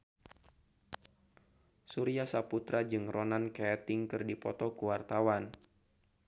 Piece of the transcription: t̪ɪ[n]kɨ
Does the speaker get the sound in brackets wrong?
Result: yes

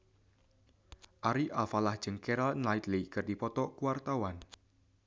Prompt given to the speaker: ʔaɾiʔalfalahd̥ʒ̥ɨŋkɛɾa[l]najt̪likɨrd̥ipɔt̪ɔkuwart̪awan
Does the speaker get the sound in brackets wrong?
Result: no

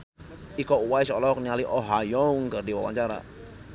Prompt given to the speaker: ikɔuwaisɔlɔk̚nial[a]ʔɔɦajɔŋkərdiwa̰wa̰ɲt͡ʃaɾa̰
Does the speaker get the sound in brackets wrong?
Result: yes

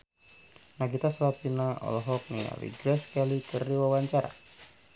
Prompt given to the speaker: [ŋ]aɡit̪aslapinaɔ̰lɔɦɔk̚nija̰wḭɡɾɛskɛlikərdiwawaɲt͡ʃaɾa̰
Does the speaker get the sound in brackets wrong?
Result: yes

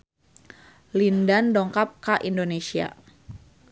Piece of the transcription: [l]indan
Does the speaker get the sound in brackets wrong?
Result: no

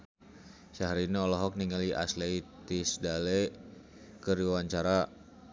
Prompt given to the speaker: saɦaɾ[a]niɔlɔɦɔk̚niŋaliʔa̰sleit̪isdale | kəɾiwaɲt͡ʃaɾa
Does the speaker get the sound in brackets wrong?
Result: yes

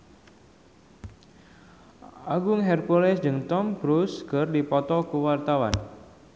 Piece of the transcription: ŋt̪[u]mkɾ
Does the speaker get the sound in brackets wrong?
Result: yes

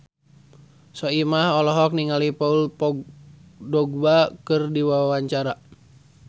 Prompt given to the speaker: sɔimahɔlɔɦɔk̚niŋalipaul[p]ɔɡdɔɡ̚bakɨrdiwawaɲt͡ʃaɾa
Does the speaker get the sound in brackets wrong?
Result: no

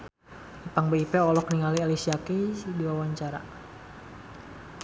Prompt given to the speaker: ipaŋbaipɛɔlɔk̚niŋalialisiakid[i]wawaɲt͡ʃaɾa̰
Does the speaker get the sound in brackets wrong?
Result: no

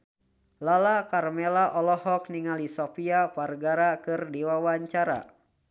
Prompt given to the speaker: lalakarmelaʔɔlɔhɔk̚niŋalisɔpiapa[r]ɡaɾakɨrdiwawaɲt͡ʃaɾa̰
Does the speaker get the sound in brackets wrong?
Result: no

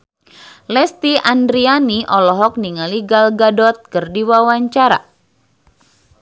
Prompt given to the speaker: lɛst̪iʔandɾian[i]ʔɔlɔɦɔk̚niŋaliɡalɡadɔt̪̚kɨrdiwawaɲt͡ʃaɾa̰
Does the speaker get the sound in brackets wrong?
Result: no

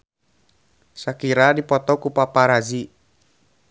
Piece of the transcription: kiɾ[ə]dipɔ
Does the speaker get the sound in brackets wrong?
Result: yes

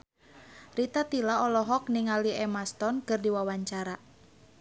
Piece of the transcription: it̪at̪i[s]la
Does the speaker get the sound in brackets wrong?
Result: yes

